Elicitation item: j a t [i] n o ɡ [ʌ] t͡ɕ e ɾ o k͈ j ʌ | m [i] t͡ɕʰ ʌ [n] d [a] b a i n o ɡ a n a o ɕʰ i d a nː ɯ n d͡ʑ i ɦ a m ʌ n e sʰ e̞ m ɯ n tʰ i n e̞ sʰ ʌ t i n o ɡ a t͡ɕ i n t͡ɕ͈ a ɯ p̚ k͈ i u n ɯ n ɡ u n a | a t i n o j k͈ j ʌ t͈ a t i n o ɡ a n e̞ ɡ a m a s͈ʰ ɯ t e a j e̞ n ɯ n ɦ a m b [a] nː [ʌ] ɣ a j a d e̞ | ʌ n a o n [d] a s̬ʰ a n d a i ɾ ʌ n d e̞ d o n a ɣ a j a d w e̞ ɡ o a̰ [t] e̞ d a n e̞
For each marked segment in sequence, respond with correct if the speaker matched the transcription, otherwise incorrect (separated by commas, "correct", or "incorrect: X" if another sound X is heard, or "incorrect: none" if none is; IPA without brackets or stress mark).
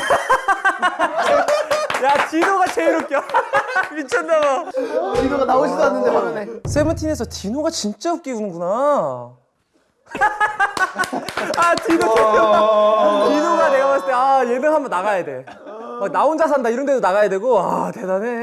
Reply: correct, incorrect: a, correct, correct, correct, incorrect: ʌ, incorrect: a, incorrect: d͡ʑ, correct